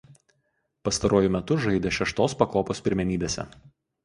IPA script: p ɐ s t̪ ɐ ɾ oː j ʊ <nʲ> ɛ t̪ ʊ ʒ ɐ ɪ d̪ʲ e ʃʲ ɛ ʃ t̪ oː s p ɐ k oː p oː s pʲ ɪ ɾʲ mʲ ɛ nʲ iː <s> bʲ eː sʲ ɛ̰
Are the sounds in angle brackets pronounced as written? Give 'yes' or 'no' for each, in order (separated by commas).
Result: no, no